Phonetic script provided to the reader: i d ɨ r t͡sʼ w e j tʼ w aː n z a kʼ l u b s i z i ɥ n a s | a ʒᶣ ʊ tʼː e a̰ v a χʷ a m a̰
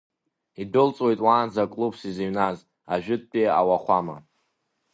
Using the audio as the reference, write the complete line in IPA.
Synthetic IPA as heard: i d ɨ l t͡sʼ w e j tʼ w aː n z a kʼ l u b s i z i ɥ n a z | a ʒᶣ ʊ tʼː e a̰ w a χʷ a m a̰